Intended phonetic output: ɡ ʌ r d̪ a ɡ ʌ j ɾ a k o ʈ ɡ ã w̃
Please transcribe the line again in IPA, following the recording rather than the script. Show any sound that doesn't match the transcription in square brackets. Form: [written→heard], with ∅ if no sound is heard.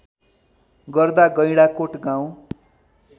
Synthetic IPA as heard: ɡ ʌ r d̪ a ɡ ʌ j [ɾ→ɽ] a k o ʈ ɡ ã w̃